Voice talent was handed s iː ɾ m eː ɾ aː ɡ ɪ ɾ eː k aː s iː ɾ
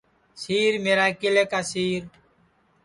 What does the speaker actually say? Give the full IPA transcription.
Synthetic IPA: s iː ɾ m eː ɾ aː k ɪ l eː k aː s iː ɾ

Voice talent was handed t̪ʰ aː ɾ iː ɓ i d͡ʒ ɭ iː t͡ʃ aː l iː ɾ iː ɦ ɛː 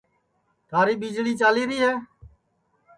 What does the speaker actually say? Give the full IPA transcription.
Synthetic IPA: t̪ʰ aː ɾ iː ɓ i d͡ʒ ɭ iː t͡ʃ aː l iː ɾ iː ɦ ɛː

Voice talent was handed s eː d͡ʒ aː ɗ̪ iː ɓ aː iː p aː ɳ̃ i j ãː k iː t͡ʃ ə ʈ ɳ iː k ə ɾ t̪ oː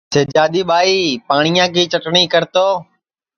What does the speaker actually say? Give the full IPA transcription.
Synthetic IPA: s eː d͡ʒ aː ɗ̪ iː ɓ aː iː p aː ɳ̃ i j ãː k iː t͡ʃ ə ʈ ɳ iː k ə ɾ t̪ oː

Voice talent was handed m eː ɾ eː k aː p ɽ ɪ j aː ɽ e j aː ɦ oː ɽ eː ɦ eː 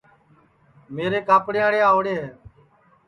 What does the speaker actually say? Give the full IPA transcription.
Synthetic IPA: m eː ɾ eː k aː p ɽ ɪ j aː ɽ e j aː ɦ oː ɽ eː ɦ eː

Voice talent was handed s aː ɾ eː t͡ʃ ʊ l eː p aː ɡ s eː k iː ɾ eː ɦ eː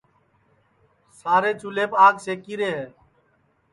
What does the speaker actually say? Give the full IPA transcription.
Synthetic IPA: s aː ɾ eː t͡ʃ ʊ l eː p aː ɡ s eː k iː ɾ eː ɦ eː

